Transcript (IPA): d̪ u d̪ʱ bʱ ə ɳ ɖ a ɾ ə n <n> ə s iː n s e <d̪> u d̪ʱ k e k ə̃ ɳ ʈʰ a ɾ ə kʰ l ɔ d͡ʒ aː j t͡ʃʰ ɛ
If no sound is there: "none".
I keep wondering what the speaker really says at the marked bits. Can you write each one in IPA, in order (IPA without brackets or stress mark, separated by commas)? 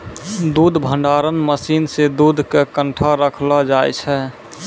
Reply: m, d̪